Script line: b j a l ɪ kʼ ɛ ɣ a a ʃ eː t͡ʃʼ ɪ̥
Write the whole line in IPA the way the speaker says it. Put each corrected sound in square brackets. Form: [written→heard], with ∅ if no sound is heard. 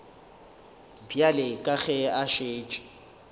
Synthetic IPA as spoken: b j a l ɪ kʼ [ɛ→a] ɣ [a→ɛ] a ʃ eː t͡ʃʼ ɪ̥